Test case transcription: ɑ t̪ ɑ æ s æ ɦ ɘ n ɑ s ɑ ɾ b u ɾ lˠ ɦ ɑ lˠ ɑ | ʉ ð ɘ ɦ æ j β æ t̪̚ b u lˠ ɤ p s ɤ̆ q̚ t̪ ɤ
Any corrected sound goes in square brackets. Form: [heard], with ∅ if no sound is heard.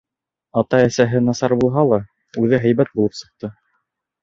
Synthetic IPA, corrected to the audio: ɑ t̪ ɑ æ s æ ɦ ɘ n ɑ s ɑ ɾ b u [∅] lˠ ɦ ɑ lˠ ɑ | ʉ ð ɘ ɦ æ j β æ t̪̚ b u lˠ ɤ p s ɤ̆ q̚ t̪ ɤ